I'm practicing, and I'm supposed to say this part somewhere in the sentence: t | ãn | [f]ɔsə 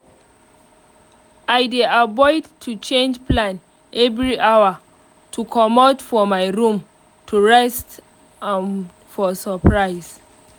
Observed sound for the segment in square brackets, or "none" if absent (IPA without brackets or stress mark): f